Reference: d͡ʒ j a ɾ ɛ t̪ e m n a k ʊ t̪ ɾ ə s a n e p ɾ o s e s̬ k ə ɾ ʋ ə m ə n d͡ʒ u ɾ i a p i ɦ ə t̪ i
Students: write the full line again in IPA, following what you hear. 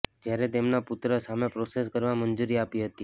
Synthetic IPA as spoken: d͡ʒ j a ɾ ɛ t̪ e m n a p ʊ t̪ ɾ ə s a m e p ɾ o s e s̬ k ə ɾ ʋ a m ə n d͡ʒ u ɾ i a p i ɦ ə t̪ i